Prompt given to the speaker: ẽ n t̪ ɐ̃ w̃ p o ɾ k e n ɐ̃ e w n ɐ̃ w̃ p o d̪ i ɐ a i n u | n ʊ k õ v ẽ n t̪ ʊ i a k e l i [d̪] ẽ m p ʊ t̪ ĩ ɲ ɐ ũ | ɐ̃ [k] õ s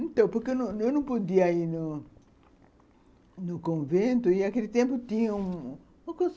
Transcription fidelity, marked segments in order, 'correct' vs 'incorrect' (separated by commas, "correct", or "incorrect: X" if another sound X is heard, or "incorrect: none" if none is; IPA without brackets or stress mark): incorrect: t̪, correct